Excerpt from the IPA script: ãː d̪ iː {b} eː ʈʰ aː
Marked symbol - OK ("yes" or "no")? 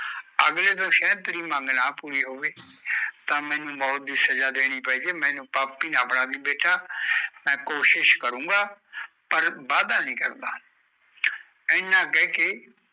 yes